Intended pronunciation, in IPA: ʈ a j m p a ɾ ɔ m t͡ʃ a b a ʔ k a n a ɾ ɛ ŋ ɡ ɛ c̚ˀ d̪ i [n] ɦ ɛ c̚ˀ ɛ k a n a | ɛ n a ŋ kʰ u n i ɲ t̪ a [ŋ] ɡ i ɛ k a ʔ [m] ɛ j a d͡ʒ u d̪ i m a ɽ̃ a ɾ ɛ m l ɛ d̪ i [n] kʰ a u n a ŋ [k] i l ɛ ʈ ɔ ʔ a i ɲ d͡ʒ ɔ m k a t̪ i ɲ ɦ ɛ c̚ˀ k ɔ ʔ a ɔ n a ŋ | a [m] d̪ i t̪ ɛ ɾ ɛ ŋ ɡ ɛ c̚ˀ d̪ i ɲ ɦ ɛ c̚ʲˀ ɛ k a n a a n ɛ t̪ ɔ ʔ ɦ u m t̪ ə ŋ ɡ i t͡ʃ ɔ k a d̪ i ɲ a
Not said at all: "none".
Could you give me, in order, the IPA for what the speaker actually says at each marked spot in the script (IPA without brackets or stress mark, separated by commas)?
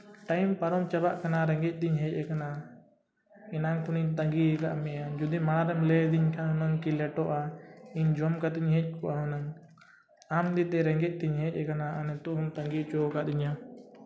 ɲ, ŋ, m, ɲ, k, m